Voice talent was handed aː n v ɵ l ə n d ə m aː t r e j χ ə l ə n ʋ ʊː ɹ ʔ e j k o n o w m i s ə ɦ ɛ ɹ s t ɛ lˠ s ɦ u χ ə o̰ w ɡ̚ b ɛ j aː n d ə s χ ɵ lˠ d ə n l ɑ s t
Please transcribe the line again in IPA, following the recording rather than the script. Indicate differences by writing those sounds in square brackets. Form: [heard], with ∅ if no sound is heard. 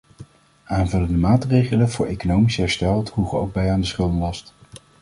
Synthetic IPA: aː n v ɵ l ə n d ə m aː t r e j χ ə l ə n [v] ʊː ɹ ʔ e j k o n o w m i s ə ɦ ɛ ɹ s t ɛ lˠ [t] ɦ u χ ə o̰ w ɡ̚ b ɛ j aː n d ə s χ ɵ lˠ d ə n l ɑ s t